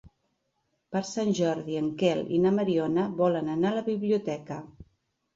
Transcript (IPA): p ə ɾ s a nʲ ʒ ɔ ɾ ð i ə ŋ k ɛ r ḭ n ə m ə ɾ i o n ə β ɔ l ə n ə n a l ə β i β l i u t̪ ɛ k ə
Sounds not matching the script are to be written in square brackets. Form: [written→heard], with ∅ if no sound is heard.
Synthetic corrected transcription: p ə ɾ s a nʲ ʒ ɔ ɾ ð i ə ŋ k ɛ [r→l] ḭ n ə m ə ɾ i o n ə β ɔ l ə n ə n a l ə β i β l i u t̪ ɛ k ə